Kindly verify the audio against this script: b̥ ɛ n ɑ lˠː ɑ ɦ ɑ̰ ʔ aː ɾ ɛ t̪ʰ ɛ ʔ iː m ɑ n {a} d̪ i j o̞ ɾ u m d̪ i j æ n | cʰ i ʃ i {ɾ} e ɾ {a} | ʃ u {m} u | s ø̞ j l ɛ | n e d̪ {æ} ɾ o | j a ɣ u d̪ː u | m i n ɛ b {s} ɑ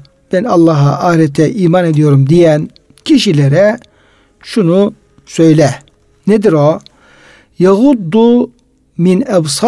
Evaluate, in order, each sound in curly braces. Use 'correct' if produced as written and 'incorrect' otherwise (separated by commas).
incorrect, incorrect, incorrect, incorrect, incorrect, correct